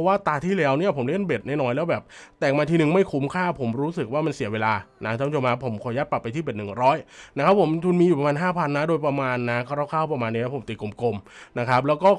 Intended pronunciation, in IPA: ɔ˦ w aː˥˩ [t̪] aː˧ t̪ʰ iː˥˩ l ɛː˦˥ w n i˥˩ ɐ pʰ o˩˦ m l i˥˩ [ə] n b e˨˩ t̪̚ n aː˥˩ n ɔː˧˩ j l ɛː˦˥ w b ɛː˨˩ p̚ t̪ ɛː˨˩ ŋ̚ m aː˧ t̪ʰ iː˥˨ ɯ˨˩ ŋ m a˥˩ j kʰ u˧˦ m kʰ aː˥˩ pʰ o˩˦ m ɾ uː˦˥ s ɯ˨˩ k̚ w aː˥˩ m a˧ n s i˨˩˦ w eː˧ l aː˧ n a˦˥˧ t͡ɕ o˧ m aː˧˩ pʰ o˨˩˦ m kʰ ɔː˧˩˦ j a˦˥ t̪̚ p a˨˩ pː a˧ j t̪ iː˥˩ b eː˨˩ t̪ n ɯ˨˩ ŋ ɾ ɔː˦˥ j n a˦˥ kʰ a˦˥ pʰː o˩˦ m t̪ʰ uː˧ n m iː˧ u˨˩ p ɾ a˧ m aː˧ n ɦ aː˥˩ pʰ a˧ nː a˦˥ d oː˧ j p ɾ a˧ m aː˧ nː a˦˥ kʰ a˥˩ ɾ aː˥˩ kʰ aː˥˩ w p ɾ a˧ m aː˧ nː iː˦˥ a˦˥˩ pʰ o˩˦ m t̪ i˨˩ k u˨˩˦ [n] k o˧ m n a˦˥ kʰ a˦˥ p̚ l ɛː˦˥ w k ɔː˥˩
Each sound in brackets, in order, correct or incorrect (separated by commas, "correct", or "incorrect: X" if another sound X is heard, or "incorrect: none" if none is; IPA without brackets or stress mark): correct, correct, incorrect: m